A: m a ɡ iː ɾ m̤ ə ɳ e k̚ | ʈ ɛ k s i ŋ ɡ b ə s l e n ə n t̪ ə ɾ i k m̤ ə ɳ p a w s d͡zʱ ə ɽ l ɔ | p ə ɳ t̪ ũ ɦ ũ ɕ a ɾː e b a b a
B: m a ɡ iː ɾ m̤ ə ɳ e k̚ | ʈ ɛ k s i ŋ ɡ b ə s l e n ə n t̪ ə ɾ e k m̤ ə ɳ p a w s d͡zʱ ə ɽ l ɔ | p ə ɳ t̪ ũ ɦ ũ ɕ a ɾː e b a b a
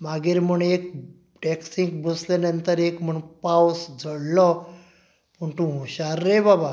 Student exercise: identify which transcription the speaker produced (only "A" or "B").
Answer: B